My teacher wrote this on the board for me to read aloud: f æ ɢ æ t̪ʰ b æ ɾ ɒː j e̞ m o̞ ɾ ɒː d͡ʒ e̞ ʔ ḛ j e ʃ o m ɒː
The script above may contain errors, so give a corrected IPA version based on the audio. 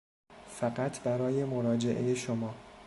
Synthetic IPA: f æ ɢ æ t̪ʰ b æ ɾ ɒː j e̞ m o̞ ɾ ɒː d͡ʒ e̞ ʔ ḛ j e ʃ o m ɒː